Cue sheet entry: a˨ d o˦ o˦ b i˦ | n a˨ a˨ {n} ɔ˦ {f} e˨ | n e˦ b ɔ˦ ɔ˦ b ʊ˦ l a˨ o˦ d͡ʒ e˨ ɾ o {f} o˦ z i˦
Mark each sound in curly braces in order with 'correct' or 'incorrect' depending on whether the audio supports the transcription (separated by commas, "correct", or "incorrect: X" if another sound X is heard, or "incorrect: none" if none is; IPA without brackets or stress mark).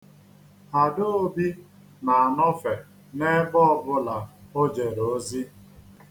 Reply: correct, correct, incorrect: none